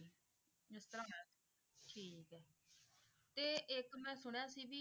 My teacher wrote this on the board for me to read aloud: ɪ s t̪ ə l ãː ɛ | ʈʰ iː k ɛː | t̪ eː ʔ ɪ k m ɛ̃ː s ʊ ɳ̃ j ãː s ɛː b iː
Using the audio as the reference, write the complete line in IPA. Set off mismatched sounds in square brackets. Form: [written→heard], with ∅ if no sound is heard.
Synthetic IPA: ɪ s t̪ ə [l→ɾ] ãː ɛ | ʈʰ iː k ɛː | t̪ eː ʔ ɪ k m ɛ̃ː s ʊ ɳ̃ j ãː s [ɛː→iː] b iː